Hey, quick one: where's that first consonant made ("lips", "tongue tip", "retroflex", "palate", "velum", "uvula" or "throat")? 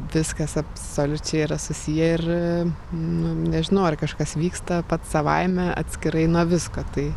lips